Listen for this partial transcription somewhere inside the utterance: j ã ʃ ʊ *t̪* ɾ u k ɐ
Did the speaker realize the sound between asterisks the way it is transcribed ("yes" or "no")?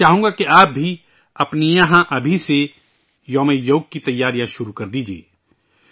no